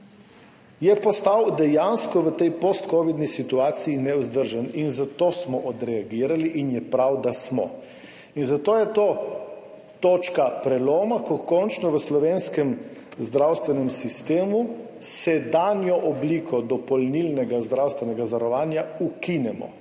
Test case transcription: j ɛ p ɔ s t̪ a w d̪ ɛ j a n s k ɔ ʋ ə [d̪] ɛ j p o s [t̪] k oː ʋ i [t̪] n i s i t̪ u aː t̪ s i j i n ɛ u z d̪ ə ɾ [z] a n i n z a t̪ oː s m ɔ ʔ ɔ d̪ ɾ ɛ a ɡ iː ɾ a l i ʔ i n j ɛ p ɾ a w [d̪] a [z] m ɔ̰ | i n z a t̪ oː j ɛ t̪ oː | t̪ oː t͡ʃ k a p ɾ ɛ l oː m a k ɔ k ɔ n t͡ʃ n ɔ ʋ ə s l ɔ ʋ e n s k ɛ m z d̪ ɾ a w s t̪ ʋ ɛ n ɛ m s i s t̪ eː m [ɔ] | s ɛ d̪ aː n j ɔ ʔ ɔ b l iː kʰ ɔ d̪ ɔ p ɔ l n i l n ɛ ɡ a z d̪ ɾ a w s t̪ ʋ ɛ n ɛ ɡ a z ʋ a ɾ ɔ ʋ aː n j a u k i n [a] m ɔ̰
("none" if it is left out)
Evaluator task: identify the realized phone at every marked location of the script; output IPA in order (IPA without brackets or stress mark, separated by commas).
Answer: t̪, t̪, d̪, ʒ, d̪, s, u, ɛ